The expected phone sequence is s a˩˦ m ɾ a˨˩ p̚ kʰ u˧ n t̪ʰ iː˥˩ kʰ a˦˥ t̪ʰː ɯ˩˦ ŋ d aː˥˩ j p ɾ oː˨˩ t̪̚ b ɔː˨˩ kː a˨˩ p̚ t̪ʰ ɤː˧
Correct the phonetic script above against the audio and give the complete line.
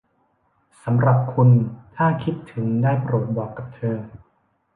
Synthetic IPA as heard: s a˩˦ m ɾ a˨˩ p̚ kʰ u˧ n t̪ʰ aː˥˩ kʰ i˦˥ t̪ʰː ɯ˩˦ ŋ d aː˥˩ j p ɾ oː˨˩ t̪̚ b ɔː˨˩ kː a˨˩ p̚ t̪ʰ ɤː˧